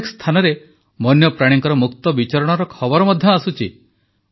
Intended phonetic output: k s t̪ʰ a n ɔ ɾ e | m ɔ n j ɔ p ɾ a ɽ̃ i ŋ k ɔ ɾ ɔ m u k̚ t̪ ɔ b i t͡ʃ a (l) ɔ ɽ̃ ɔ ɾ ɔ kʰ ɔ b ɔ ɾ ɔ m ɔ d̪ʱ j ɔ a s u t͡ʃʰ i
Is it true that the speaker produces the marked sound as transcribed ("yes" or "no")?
no